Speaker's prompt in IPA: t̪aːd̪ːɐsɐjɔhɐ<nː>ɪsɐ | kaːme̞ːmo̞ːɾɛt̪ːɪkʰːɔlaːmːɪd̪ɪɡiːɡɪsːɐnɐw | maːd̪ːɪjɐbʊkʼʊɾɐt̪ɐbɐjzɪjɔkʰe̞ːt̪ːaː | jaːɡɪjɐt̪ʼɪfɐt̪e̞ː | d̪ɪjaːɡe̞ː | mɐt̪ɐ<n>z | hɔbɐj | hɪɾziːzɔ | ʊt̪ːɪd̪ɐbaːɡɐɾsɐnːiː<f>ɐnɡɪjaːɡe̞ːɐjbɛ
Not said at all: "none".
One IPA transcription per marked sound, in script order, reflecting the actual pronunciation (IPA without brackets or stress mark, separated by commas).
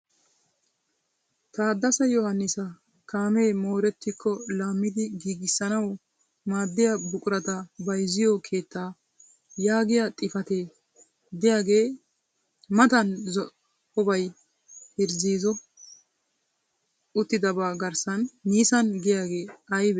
nː, n, s